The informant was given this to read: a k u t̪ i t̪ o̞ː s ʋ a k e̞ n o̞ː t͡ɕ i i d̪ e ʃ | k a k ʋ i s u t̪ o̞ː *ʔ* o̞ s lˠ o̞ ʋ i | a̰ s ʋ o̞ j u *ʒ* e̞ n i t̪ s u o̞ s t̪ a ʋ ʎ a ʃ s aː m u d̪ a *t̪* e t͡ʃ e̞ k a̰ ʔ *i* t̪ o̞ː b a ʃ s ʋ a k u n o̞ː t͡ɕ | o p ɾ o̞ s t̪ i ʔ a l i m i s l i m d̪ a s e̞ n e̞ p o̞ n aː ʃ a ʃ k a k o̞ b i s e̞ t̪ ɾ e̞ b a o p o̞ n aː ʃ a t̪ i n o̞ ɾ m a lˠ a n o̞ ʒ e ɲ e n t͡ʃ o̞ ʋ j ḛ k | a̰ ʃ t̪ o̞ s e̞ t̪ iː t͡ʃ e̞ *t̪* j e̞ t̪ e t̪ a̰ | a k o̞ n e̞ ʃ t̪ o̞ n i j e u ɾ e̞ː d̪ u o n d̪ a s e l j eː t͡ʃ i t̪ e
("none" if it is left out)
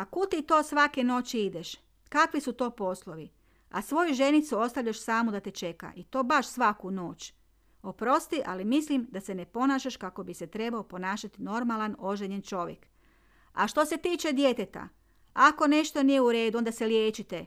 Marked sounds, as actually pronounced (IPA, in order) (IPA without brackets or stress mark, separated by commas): p, ʒ, t̪, i, d̪